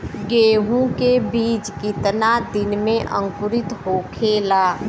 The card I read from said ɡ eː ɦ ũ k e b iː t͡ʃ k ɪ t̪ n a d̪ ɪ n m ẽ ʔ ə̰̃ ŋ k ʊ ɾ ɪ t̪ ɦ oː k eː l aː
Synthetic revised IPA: ɡ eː ɦ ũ k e b iː t͡ʃ k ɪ t̪ n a d̪ ɪ n m ẽ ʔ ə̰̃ ŋ k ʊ ɾ ɪ t̪ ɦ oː kʰ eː l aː